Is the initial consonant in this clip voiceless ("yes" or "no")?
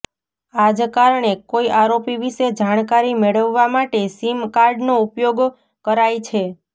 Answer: no